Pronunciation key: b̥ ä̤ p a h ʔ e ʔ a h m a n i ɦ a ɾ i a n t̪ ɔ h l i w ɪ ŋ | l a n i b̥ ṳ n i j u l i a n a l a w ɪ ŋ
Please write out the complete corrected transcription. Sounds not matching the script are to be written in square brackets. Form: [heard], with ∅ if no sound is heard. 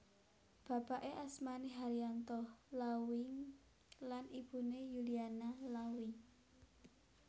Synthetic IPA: b̥ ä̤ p a [∅] ʔ e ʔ a [s] m a n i ɦ a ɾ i a n t̪ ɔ h l [a] w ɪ ŋ | l a n i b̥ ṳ n [e] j u l i a n a l a w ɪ ŋ